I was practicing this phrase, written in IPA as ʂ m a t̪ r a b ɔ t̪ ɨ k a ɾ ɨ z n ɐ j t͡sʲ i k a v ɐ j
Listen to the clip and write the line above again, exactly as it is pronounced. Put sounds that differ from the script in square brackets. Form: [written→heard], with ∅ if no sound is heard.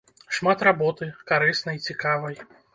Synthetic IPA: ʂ m a t̪ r a b ɔ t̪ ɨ k a ɾ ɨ [z→s] n ɐ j t͡sʲ i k a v ɐ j